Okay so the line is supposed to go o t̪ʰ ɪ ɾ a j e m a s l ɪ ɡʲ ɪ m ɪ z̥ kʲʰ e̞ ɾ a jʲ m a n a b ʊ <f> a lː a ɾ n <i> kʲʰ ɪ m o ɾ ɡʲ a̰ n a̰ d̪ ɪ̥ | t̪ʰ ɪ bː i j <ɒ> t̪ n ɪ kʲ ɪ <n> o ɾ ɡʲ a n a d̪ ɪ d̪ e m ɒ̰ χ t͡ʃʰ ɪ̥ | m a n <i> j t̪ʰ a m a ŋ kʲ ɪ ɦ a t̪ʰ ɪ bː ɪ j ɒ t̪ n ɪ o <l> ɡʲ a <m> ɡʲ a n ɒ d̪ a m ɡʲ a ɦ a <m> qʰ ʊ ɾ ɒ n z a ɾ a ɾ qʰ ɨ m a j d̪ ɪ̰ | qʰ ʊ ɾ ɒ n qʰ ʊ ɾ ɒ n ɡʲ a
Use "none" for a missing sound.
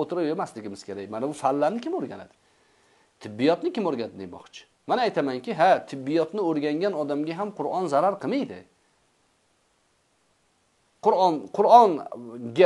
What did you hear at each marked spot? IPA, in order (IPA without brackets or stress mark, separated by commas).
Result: f, ɪ, ɒ, m, a, ɾ, ŋ, m